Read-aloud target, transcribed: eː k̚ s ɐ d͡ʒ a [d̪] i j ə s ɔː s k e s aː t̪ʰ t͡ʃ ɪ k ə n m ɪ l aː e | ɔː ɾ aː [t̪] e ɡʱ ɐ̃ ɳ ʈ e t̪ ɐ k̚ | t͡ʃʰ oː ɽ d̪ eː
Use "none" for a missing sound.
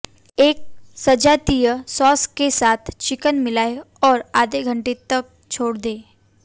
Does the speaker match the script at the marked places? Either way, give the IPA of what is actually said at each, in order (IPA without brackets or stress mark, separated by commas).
t̪, d̪